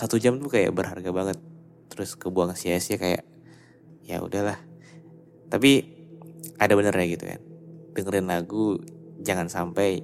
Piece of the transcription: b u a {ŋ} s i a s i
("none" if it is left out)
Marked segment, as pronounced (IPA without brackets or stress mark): ŋ